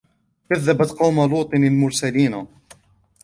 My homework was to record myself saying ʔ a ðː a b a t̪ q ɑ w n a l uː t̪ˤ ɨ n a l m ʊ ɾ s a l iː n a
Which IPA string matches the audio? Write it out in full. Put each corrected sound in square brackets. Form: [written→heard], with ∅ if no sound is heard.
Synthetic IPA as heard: [ʔ→k] a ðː a b a t̪ q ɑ w [n→m] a l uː t̪ˤ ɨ n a l m ʊ ɾ s a l iː n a